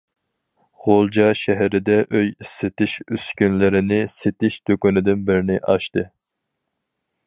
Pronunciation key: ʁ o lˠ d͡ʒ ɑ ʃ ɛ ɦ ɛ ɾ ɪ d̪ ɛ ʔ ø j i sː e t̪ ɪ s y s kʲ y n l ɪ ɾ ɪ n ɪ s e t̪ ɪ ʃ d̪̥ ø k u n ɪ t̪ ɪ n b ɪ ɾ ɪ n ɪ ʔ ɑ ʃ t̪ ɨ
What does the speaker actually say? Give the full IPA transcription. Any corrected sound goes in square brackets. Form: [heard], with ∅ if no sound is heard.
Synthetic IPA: ʁ o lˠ d͡ʒ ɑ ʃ ɛ ɦ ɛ ɾ ɪ d̪ ɛ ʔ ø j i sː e t̪ ɪ [ʃ] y s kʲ y n l ɪ ɾ ɪ n ɪ s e t̪ ɪ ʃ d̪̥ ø k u n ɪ [d̪] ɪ n b ɪ ɾ ɪ n ɪ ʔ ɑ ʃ t̪ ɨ